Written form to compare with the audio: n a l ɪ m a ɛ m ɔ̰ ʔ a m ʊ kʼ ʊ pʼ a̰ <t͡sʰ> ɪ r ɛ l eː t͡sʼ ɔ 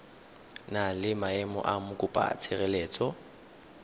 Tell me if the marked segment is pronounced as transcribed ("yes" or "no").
yes